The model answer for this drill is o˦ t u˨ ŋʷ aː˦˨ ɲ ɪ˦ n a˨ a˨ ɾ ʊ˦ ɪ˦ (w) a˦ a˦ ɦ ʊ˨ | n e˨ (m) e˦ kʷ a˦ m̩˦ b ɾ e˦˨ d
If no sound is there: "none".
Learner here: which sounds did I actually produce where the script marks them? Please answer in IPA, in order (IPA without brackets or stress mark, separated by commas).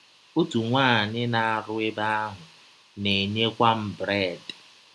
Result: b, ɲ